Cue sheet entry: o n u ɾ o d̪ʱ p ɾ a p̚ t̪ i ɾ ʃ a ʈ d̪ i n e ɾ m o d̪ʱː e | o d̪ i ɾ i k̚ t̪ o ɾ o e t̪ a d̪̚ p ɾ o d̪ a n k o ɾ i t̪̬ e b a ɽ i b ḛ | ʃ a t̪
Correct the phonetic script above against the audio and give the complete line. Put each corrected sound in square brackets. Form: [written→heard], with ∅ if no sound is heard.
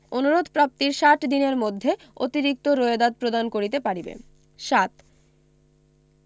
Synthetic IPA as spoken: o n u ɾ o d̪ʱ p ɾ a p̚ t̪ i ɾ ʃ a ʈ d̪ i n e ɾ m o d̪ʱː e | o [d̪→t̪] i ɾ i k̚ t̪ o ɾ o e [t̪→d̪] a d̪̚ p ɾ o d̪ a n k o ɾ i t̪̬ e [b→p] a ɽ i b ḛ | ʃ a t̪